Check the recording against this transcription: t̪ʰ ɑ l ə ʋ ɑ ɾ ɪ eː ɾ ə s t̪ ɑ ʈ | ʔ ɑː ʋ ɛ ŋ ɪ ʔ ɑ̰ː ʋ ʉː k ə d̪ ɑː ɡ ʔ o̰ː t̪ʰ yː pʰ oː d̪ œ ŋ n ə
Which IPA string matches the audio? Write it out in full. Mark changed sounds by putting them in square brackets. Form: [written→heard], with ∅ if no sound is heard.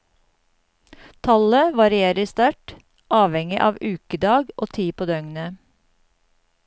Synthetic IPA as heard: t̪ʰ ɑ l ə ʋ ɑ ɾ ɪ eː ɾ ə s t̪ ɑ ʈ | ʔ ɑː ʋ ɛ ŋ ɪ ʔ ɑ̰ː ʋ ʉː k ə d̪ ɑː ɡ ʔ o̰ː t̪ʰ [yː→iː] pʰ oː d̪ œ ŋ n ə